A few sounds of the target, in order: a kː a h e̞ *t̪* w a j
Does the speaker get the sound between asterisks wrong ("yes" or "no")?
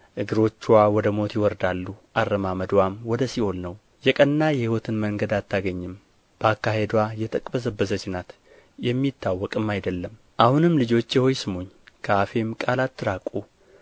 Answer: yes